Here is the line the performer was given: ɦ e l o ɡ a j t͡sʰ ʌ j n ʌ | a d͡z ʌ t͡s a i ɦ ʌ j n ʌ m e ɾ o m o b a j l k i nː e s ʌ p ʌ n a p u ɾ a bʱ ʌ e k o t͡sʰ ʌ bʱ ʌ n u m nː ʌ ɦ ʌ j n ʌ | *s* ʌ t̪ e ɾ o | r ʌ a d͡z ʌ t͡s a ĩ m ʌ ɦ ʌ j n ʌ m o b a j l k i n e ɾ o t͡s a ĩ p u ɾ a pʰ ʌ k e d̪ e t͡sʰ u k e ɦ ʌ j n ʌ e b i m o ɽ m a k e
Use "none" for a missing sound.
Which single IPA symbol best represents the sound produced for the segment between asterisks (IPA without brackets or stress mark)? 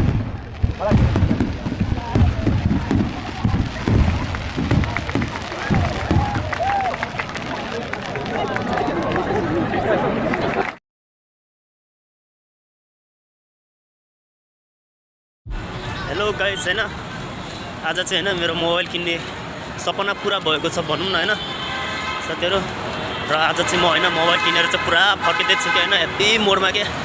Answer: s